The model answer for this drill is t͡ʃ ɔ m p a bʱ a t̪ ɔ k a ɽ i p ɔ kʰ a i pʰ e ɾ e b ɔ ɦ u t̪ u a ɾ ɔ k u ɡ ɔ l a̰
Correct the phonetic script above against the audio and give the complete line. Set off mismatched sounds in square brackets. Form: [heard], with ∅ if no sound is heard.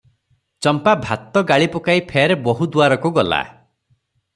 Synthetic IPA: t͡ʃ ɔ m p a bʱ a t̪ ɔ [ɡ] a [ɭ] i p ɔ [k] a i pʰ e ɾ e b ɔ ɦ u [d̪] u a ɾ ɔ k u ɡ ɔ l a̰